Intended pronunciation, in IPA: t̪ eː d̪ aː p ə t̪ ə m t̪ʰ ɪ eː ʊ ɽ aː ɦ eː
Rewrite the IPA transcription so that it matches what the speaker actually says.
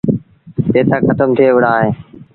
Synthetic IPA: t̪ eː t̪ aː k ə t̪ ə m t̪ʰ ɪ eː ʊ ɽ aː ɦ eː